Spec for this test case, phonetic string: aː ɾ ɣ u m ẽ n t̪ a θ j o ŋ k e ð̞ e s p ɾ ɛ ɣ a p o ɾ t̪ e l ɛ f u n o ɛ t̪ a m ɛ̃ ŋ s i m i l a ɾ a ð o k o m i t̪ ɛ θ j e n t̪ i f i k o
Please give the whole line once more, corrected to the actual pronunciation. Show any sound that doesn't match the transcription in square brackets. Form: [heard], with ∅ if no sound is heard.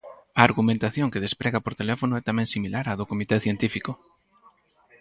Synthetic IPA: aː ɾ ɣ u m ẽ n t̪ a θ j o ŋ k e ð̞ e s p ɾ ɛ ɣ a p o ɾ t̪ e l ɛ f [o] n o ɛ t̪ a m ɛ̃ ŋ s i m i l a ɾ a ð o k o m i t̪ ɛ θ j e n t̪ i f i k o